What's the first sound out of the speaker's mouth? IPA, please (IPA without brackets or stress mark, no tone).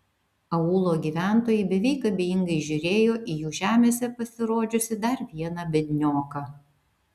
ɐ